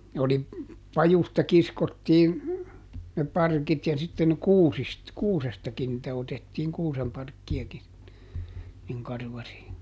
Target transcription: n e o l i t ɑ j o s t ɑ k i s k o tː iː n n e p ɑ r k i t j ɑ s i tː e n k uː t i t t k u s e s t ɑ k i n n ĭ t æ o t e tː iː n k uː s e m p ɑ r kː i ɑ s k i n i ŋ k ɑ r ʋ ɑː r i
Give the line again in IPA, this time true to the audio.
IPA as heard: n e o l i p ɑ j u s t ɑ k i s k o tː iː n n e p ɑ r k i t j ɑ s i tː e n k uː s i s t k uː s e s t ɑ k i n n ĭ t æ o t e tː iː ŋ k uː s e m p ɑ r kː i ɑ k i n i ŋ k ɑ r ʋ ɑ r i

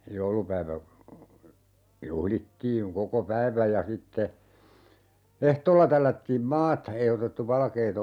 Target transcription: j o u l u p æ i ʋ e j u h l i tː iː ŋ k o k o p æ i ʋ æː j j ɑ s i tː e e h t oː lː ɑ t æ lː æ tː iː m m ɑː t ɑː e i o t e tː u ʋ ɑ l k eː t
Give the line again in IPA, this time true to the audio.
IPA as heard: j o u l u p æ i ʋ æ j u h l i tː iː ŋ k o k o p æ i ʋ æ j j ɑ s i tː e e h t oː lː ɑ t æ lː æ tː iː m m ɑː t ɑ e i o t e tː u ʋ ɑ l k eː t

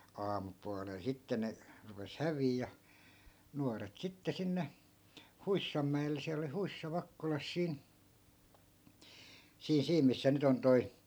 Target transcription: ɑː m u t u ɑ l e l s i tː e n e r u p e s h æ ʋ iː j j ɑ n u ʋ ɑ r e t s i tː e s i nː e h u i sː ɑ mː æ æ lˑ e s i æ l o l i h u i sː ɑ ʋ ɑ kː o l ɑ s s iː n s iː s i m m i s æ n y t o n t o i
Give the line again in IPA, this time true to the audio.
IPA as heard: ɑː m u p u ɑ l e l s i tː e n e r u p e s h æ ʋ iː j j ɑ n u ɑ r e t s i tː e s i nː e h u i sː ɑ mː æ e lˑ e s i æ l o l i h u i sː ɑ ʋ ɑ kː o l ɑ s s iː n s iː s iː m m i sː æ n y t o n t o i

